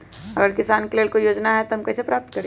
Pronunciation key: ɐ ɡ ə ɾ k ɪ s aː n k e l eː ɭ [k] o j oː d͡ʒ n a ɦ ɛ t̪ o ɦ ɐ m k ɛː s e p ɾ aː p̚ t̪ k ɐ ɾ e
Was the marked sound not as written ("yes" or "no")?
no